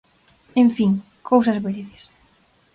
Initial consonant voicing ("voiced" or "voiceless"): voiced